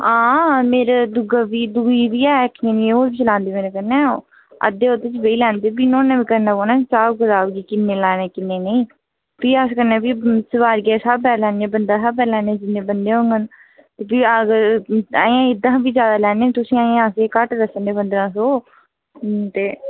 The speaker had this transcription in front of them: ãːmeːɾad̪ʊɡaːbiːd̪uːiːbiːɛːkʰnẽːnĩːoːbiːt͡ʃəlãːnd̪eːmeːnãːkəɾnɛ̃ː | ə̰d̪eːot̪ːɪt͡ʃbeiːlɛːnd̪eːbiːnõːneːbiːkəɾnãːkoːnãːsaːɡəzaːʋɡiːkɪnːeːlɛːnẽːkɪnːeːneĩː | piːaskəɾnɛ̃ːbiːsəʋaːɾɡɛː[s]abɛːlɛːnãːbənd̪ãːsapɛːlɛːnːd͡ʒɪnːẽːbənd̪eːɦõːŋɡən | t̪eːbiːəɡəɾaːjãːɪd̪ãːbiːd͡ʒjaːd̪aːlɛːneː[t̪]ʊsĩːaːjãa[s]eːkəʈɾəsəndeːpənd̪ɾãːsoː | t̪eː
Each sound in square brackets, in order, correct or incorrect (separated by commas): correct, correct, correct